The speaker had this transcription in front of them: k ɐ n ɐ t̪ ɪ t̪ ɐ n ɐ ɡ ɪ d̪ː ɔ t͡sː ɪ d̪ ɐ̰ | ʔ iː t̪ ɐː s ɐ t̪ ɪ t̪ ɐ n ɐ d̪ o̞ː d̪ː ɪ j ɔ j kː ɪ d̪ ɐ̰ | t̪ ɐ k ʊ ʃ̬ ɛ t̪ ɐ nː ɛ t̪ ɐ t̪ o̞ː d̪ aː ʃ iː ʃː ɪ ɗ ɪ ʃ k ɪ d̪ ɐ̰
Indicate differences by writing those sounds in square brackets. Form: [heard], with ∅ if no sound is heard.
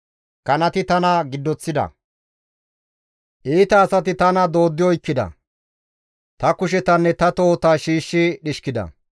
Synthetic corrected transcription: k ɐ n ɐ t̪ ɪ t̪ ɐ n ɐ ɡ ɪ d̪ː ɔ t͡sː ɪ d̪ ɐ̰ | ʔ iː t̪ ɐː s ɐ t̪ ɪ t̪ ɐ n ɐ d̪ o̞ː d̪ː ɪ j ɔ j kː ɪ d̪ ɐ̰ | t̪ ɐ k ʊ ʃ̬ ɛ t̪ ɐ nː ɛ t̪ ɐ t̪ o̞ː [t̪] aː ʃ iː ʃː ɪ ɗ ɪ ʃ k ɪ d̪ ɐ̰